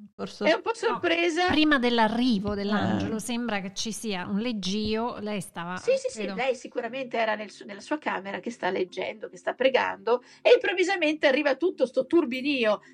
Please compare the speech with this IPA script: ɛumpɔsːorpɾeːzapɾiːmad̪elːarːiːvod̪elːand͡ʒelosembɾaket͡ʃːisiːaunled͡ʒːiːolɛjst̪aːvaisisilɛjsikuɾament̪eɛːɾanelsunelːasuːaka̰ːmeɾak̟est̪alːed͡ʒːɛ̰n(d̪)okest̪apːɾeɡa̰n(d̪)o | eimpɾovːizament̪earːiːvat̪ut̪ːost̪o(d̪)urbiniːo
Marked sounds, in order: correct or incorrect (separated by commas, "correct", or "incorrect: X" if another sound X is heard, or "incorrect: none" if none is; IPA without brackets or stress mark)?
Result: correct, correct, incorrect: t̪